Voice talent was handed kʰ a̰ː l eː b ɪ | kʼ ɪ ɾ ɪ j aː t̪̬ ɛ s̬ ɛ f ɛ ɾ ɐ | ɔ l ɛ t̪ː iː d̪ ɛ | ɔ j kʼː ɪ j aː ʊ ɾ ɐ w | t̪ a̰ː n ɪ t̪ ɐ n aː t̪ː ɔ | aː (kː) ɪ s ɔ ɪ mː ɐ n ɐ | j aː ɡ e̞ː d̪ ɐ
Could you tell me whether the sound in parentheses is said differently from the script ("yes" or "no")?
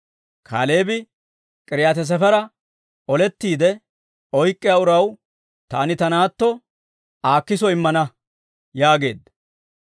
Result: no